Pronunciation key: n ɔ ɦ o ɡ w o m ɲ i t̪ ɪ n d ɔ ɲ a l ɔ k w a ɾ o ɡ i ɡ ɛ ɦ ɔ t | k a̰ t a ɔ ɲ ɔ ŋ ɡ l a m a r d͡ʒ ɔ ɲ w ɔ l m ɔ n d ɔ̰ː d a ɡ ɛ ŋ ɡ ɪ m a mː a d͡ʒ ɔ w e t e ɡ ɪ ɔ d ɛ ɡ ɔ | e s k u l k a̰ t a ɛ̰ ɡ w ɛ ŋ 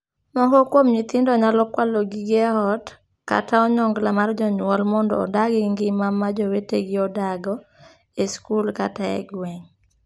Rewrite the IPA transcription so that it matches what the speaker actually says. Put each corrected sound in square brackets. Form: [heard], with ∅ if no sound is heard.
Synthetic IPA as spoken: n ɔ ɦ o [k] w o m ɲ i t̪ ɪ n d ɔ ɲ a l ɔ k w a [l] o ɡ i ɡ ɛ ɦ ɔ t | k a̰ t a ɔ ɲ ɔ ŋ ɡ l a m a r d͡ʒ ɔ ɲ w ɔ l m ɔ n d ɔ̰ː d a ɡ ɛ ŋ ɡ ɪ m a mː a d͡ʒ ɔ w e t e ɡ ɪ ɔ d [a] ɡ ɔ | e s k u l k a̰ t a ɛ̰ ɡ w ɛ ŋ